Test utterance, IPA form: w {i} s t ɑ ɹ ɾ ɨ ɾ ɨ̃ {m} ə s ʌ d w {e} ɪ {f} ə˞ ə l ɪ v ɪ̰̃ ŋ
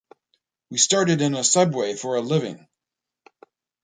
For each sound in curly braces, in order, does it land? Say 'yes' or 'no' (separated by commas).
yes, no, yes, yes